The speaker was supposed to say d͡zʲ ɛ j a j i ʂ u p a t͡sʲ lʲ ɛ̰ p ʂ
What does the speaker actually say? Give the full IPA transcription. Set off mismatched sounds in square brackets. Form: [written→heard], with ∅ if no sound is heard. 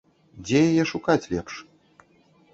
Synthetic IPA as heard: d͡zʲ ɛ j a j [i→ɛ] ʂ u [p→k] a t͡sʲ lʲ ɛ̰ p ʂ